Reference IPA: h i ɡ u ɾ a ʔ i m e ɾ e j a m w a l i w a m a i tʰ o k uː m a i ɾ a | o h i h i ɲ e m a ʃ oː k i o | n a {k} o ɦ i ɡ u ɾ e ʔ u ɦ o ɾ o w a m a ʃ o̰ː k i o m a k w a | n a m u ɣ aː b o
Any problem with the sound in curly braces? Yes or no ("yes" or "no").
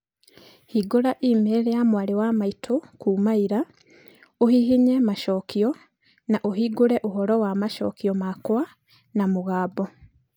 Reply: yes